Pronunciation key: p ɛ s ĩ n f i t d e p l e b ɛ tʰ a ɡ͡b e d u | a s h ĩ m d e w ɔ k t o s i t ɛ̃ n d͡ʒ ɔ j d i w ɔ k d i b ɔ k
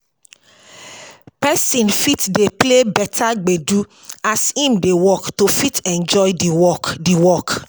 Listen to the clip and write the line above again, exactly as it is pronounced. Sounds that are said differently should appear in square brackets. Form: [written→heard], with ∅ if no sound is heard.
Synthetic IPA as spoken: p ɛ s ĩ n f i t d e p l e b ɛ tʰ a ɡ͡b e d u | a s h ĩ m d e w ɔ k t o [s→f] i t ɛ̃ n d͡ʒ ɔ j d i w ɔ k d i [b→w] ɔ k